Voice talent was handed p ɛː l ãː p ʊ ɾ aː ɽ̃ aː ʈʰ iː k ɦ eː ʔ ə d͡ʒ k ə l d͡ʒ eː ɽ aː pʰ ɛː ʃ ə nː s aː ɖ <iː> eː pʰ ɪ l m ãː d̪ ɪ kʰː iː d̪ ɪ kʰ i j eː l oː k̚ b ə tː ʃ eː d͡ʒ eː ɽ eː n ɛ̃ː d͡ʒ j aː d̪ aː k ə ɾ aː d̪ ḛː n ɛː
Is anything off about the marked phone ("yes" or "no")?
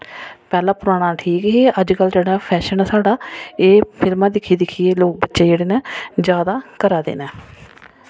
yes